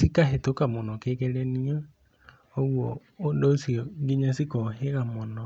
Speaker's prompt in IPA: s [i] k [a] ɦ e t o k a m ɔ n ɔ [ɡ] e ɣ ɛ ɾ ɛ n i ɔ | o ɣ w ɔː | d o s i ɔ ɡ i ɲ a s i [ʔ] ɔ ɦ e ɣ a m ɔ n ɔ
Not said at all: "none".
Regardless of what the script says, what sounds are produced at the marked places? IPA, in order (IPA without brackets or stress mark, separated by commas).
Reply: i, a, k, k